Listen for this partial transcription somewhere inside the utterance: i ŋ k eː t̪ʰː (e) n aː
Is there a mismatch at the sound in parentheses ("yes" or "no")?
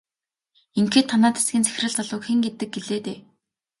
yes